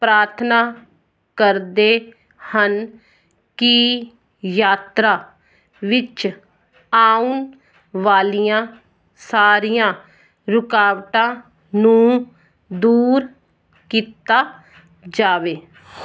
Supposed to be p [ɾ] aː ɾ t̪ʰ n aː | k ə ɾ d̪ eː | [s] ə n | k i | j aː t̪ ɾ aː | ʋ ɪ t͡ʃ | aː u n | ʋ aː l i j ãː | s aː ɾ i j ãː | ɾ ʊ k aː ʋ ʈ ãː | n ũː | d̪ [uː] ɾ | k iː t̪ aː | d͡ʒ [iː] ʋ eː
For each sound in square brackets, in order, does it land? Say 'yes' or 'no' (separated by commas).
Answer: yes, no, yes, no